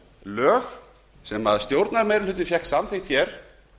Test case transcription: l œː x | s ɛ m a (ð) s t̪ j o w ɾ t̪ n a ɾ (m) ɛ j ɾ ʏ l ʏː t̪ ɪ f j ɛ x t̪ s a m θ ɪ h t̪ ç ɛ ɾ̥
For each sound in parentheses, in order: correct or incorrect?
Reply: correct, correct

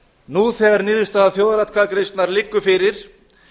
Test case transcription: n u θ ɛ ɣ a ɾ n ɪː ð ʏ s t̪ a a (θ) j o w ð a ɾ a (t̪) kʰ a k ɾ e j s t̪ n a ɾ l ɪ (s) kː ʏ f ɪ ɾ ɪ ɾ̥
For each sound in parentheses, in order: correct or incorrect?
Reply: correct, correct, incorrect

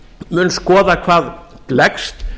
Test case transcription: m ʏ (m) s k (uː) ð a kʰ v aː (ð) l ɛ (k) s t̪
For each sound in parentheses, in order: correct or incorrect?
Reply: incorrect, incorrect, correct, correct

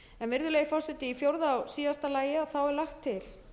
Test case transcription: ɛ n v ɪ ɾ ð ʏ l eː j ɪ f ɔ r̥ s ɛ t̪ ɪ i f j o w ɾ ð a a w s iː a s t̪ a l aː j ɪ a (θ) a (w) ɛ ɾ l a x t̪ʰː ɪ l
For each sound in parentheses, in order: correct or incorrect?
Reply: correct, correct

